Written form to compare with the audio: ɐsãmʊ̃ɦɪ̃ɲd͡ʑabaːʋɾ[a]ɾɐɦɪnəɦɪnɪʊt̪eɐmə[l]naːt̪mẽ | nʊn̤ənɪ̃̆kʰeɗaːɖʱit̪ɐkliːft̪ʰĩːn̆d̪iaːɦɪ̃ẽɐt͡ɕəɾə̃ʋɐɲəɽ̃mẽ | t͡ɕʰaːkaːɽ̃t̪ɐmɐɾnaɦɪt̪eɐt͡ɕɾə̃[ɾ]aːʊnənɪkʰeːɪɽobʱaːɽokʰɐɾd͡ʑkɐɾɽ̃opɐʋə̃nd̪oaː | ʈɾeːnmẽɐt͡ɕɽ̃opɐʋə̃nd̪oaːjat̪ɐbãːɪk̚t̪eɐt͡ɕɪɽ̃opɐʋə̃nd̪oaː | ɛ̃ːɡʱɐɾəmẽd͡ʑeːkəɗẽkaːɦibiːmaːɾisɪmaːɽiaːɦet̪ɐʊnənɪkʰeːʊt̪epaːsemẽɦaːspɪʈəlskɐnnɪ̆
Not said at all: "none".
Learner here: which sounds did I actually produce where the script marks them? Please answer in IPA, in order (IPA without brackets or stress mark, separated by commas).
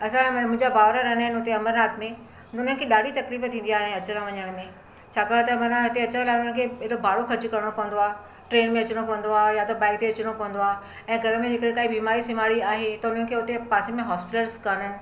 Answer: a, ɾ, l